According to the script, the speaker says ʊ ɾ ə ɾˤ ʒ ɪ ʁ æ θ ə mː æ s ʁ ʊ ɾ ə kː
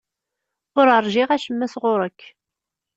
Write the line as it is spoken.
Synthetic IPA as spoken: ʊ ɾ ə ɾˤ ʒ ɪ ʁ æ ʃ ə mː æ s ʁ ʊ ɾ ə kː

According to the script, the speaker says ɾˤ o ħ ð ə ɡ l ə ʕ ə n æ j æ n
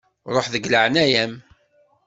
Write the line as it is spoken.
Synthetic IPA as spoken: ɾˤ o ħ ð ə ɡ l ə ʕ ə n æ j æ m

